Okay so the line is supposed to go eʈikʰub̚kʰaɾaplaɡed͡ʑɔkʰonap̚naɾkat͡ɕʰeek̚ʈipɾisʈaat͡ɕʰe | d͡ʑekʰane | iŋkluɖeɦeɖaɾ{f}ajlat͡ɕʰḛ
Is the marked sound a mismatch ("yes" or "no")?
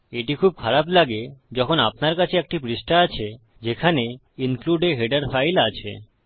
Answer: no